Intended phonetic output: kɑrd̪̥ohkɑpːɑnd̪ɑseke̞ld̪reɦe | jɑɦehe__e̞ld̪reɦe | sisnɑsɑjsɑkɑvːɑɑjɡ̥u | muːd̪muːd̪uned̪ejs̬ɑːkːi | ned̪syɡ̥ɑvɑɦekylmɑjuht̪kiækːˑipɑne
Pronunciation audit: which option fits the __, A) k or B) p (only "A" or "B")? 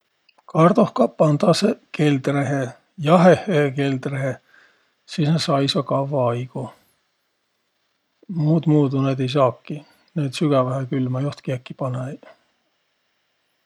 A